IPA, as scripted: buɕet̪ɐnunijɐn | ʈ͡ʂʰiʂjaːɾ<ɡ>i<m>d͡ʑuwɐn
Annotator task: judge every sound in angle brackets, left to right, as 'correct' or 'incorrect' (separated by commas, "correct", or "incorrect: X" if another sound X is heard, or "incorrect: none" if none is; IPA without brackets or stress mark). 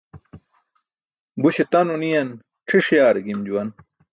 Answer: correct, correct